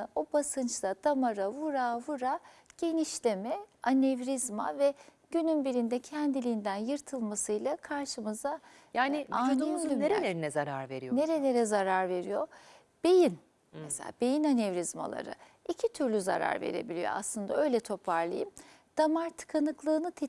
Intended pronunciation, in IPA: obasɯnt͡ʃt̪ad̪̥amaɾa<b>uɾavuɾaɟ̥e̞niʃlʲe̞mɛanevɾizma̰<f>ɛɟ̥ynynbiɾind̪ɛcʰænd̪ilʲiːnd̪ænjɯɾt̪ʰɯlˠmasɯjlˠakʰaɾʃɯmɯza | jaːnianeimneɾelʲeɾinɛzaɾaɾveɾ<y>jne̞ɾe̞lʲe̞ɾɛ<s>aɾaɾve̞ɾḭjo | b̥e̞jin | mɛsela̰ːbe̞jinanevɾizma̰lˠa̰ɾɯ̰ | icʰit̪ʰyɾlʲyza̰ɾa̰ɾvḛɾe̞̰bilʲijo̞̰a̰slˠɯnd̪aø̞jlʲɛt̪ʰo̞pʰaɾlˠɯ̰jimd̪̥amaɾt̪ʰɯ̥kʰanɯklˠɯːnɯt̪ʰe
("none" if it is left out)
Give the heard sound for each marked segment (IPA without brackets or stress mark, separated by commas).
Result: v, v, i, z